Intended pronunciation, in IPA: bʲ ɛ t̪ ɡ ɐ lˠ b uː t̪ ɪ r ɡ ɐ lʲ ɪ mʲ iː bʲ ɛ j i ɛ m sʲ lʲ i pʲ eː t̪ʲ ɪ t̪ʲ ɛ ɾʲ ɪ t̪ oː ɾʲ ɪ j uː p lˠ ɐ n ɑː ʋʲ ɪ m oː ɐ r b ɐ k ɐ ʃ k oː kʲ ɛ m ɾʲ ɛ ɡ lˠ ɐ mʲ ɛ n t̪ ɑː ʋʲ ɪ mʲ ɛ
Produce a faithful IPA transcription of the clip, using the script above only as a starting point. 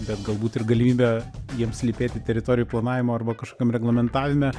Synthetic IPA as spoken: bʲ ɛ t̪ ɡ ɐ lˠ b uː t̪ ɪ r ɡ ɐ lʲ ɪ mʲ iː bʲ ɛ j i ɛ m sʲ lʲ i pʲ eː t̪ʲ ɪ t̪ʲ ɛ ɾʲ ɪ t̪ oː ɾʲ ɪ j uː p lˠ ɐ n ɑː ʋʲ ɪ m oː ɐ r b ɐ k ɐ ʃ k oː kʲ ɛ m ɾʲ ɛ ɡ lˠ ɐ mʲ ɛ n t̪ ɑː ʋʲ ɪ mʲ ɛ